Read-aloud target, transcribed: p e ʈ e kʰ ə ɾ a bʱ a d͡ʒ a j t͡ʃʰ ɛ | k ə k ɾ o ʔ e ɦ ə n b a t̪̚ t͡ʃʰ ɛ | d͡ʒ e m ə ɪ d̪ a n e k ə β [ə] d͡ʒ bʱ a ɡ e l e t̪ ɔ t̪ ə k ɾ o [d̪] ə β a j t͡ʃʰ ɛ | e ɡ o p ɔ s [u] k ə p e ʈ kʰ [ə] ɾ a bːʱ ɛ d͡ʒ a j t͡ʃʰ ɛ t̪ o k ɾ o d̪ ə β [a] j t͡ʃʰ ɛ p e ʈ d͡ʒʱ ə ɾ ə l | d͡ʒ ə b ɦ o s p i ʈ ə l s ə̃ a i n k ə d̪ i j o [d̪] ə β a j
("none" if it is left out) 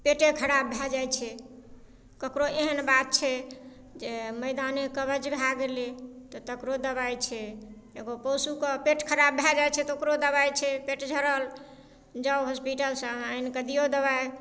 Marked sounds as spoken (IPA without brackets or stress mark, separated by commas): ə, d̪, u, ə, a, d̪